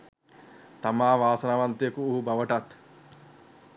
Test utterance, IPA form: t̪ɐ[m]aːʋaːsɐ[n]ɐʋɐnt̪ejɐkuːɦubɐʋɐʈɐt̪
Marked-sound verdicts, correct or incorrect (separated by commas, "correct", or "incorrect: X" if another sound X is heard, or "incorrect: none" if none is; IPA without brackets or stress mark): correct, correct